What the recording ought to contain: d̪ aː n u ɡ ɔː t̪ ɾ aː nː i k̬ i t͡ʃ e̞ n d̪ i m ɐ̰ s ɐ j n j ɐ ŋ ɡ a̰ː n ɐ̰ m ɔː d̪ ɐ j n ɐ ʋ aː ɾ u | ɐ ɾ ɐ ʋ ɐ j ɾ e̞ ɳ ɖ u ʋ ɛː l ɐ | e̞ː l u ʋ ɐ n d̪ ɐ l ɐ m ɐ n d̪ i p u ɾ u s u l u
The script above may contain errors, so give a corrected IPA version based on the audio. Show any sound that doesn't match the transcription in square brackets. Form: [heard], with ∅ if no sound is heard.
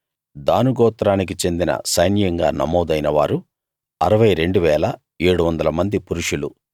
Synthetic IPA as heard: d̪ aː n u ɡ ɔː t̪ ɾ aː [n] i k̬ i t͡ʃ e̞ n d̪ i [n] ɐ̰ s ɐ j n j ɐ ŋ ɡ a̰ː n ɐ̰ m ɔː d̪ ɐ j n ɐ ʋ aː ɾ u | ɐ ɾ ɐ ʋ ɐ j ɾ e̞ ɳ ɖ u ʋ ɛː l ɐ | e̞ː [ɽ] u ʋ ɐ n d̪ ɐ l ɐ m ɐ n d̪ i p u ɾ u [ʂ] u l u